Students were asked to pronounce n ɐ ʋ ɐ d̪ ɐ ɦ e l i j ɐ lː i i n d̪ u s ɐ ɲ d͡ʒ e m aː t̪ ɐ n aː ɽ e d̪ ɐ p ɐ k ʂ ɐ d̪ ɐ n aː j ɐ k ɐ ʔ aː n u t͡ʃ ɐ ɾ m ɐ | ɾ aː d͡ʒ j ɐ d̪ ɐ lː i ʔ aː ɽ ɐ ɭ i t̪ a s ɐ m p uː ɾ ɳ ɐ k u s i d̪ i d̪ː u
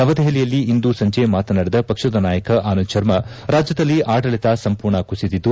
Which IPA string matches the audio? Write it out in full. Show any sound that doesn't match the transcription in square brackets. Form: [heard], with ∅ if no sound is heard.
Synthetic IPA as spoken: n ɐ ʋ ɐ d̪ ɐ ɦ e l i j ɐ lː i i n d̪ u s ɐ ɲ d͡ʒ e m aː t̪ ɐ n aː ɽ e d̪ ɐ p ɐ k ʂ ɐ d̪ ɐ n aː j ɐ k ɐ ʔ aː n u t͡ʃ ɐ ɾ m ɐ | ɾ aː d͡ʒ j ɐ d̪ ɐ lː i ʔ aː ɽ ɐ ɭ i t̪ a s ɐ m p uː ɾ ɳ ɐ k u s i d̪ i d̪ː u